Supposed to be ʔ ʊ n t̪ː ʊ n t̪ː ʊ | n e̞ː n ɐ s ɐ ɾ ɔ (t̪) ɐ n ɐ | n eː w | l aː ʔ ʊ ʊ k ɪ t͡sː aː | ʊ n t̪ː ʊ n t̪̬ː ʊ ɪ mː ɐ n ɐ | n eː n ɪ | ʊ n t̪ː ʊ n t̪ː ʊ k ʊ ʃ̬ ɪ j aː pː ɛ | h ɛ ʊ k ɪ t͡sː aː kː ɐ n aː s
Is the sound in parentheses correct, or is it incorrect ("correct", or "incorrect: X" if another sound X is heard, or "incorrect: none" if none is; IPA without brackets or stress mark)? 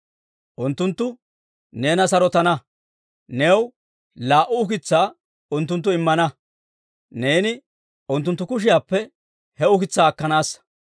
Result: correct